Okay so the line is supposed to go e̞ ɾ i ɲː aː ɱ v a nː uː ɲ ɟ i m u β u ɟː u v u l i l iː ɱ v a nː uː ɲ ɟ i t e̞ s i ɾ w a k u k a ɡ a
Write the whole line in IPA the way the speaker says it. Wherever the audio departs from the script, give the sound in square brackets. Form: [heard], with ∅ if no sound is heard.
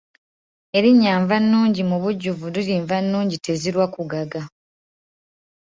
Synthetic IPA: e̞ ɾ i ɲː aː ɱ v a nː uː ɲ ɟ i m u β u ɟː u v u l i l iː ɱ v a nː uː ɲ ɟ i t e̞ [z] i ɾ w a k u [ɡ] a ɡ a